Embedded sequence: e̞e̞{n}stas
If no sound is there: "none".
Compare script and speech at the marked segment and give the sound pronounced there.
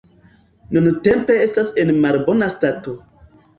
none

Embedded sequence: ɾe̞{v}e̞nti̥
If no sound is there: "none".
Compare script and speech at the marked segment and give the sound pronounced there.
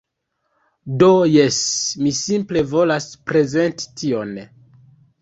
z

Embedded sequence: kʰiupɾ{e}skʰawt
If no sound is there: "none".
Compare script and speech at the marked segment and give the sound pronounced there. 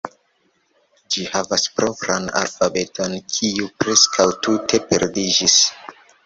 e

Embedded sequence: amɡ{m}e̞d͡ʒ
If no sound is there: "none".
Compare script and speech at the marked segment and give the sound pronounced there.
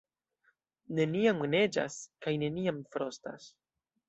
n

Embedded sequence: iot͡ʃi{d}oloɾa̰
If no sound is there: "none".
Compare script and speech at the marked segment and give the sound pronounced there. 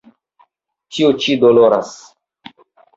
d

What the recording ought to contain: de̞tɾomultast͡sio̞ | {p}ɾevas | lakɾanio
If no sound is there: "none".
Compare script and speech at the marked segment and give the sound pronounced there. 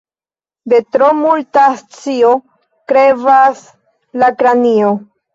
k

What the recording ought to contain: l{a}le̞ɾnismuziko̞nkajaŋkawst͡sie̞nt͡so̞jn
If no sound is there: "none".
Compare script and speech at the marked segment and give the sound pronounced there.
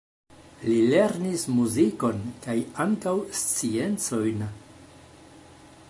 i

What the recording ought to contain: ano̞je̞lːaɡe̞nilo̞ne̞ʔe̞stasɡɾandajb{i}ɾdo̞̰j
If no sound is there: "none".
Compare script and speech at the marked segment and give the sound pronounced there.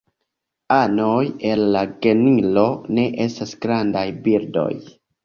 i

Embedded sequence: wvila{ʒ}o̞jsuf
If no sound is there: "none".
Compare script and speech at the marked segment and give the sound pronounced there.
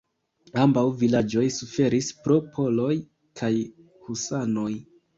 d͡ʒ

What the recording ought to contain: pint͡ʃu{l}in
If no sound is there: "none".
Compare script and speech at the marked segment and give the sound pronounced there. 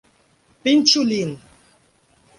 l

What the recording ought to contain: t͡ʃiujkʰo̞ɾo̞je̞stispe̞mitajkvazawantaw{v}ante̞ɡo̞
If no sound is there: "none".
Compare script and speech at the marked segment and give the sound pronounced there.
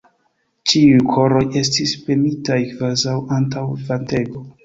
v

